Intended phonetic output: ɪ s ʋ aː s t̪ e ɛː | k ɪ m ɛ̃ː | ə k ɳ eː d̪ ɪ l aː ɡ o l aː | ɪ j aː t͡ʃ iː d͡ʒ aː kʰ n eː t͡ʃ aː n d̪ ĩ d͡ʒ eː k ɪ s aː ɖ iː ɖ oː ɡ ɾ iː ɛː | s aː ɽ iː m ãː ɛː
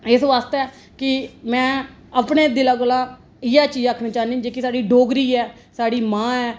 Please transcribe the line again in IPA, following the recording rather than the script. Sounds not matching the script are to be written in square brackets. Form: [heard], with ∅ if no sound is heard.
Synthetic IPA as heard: ɪ s ʋ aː s t̪ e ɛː | k ɪ m ɛ̃ː | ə [p] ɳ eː d̪ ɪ l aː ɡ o l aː | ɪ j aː t͡ʃ iː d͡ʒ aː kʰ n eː t͡ʃ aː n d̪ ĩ d͡ʒ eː k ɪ s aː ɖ iː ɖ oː ɡ ɾ iː ɛː | s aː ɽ iː m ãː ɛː